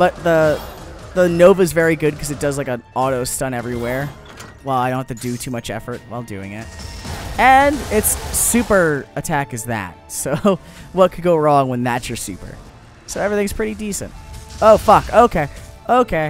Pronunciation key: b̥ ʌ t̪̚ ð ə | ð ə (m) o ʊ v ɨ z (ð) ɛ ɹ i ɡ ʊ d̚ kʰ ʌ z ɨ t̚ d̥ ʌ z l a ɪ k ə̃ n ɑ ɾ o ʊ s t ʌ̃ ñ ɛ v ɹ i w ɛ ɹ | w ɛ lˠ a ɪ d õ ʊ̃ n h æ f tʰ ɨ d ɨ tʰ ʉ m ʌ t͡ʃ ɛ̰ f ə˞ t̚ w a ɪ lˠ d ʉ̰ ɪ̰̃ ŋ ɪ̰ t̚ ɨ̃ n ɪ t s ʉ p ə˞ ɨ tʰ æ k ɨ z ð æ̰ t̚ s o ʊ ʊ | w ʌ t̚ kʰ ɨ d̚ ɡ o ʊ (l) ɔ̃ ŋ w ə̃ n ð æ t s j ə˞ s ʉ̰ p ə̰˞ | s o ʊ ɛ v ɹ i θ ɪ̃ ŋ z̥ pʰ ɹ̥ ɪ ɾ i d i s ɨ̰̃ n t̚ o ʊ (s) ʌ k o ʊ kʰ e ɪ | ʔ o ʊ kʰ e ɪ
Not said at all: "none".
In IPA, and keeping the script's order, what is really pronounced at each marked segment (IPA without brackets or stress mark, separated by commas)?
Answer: n, v, ɹ, f